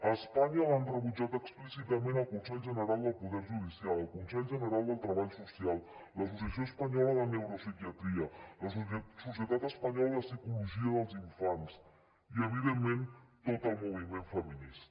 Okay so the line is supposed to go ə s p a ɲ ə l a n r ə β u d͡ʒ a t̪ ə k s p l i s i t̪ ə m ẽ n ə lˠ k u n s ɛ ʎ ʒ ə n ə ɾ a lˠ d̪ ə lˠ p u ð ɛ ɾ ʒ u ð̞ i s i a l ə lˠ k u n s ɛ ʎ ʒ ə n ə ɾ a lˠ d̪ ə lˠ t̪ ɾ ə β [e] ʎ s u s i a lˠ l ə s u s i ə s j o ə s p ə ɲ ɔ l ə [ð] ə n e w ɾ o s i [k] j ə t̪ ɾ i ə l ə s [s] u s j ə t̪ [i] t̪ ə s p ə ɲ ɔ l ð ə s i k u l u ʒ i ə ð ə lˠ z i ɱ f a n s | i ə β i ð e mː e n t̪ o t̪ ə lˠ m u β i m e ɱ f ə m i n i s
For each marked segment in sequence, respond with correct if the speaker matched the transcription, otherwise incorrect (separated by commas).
incorrect, correct, correct, correct, incorrect